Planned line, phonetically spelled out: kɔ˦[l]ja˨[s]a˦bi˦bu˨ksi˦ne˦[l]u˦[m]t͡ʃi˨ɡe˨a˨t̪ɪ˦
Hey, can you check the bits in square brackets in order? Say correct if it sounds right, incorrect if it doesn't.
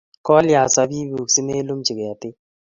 correct, correct, correct, correct

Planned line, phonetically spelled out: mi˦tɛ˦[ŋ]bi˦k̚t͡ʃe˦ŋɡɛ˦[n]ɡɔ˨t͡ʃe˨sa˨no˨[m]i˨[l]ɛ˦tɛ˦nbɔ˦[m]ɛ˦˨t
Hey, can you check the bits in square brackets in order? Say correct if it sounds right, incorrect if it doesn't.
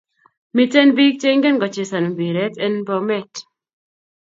incorrect, correct, incorrect, incorrect, correct

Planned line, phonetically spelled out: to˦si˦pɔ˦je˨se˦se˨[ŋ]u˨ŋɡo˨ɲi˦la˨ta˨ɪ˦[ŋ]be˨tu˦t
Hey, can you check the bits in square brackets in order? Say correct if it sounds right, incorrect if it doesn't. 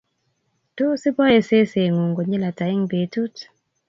correct, correct

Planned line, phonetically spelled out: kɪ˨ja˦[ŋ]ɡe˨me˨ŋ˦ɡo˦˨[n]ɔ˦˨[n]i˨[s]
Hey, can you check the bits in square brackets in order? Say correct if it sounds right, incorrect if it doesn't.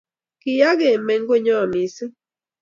incorrect, incorrect, incorrect, correct

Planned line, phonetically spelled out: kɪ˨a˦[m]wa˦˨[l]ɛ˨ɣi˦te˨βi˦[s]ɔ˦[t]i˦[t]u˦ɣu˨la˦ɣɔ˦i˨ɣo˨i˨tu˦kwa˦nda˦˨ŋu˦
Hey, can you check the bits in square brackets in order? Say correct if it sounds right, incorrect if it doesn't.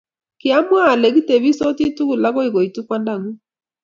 correct, correct, correct, correct, correct

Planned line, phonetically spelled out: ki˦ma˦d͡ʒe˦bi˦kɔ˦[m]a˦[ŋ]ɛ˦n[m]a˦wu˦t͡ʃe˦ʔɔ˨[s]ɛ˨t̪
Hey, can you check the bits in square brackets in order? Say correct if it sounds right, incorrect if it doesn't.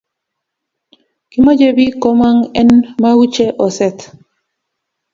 correct, correct, correct, correct

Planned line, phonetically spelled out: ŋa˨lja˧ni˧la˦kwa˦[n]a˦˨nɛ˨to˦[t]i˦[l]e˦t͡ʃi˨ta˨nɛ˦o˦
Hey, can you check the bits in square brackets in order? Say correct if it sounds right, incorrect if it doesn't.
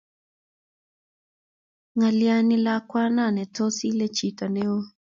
correct, incorrect, correct

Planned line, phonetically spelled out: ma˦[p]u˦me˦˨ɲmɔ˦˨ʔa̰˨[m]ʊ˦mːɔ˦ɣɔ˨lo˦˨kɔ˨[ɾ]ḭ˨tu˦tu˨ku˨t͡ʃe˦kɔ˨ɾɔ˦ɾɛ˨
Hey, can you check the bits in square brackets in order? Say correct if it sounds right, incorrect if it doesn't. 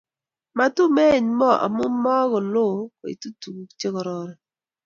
incorrect, correct, incorrect

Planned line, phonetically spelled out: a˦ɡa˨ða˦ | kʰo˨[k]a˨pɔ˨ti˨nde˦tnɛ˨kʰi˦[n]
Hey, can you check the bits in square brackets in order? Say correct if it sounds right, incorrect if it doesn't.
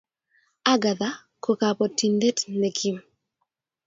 correct, incorrect

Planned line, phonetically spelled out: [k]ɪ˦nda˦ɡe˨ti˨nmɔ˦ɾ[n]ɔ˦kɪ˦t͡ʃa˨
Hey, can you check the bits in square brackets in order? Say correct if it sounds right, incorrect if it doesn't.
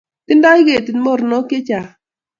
incorrect, correct

